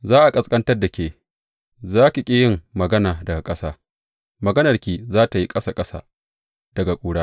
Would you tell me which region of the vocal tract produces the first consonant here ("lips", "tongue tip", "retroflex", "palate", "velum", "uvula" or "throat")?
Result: tongue tip